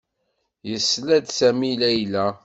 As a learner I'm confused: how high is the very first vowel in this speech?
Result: mid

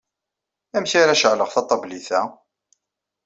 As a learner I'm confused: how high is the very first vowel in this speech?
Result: low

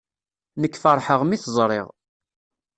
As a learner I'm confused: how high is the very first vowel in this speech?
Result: mid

